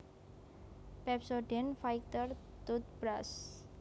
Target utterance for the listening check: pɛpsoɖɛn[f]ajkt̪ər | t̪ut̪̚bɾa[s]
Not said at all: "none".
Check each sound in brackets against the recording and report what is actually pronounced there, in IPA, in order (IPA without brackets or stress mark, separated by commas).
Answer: f, s